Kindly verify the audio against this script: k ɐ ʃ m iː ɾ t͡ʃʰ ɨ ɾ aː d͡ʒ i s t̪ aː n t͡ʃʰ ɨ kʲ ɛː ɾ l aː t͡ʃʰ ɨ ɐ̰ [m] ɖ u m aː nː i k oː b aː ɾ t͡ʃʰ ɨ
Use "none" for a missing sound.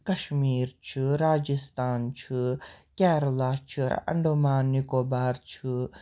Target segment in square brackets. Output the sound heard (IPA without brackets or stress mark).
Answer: ɳ